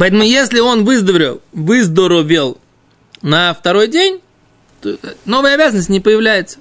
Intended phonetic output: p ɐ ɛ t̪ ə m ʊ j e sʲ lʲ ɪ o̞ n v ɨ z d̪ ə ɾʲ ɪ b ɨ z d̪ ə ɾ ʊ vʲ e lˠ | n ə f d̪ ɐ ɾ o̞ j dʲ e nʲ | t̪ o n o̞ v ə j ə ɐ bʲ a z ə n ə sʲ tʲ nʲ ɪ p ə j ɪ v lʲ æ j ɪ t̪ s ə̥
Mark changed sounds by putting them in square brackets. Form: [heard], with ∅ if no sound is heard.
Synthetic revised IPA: p ɐ ɛ t̪ ə m ʊ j e sʲ lʲ ɪ o̞ n v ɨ z d̪ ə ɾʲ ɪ [v] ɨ z d̪ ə ɾ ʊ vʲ e lˠ | n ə f [t̪] ɐ ɾ o̞ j dʲ e nʲ | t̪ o n o̞ v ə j ə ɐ bʲ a z ə n ə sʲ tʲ nʲ ɪ p ə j ɪ v lʲ æ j ɪ t̪ s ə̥